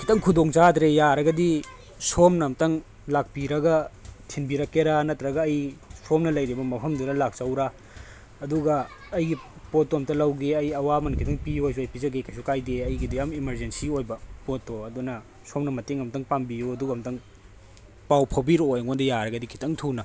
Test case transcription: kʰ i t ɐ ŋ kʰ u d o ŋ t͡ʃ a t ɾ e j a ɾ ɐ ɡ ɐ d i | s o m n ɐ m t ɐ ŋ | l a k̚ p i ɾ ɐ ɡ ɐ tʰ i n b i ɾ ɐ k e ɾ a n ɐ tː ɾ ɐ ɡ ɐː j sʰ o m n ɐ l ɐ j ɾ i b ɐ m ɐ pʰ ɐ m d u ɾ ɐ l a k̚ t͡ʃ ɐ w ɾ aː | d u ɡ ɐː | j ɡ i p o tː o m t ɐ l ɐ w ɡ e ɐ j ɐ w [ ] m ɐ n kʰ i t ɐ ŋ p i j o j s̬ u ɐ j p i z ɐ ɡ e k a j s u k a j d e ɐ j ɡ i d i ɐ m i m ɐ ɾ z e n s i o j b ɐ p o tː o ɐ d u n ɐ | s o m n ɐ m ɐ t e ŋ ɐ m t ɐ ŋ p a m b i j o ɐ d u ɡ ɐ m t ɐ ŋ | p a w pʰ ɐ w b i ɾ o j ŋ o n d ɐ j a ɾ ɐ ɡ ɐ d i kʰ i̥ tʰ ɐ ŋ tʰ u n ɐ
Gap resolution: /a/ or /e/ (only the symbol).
a